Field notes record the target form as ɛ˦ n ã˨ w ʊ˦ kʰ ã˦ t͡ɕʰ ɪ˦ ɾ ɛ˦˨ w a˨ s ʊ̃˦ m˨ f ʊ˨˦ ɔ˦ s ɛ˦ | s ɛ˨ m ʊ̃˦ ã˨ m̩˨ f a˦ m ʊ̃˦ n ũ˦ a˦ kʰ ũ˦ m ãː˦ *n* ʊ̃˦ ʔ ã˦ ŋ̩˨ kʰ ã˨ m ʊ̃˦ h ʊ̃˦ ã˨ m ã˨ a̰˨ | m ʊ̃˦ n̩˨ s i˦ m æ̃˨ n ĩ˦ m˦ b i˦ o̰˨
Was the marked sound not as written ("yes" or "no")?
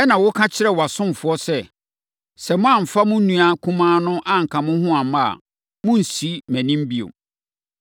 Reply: no